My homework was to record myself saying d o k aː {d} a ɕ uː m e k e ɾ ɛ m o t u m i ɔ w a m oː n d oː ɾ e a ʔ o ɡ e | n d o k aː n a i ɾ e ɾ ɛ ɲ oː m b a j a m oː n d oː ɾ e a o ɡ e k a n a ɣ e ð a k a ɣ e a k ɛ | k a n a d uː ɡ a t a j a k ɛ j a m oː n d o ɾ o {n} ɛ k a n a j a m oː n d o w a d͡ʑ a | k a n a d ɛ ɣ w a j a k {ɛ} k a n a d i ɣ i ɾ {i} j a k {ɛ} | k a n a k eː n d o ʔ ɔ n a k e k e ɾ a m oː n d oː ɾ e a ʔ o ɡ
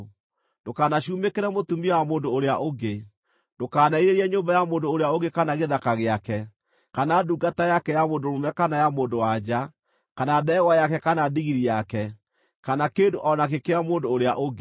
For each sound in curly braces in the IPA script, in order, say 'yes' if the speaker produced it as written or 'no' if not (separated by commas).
no, no, yes, yes, yes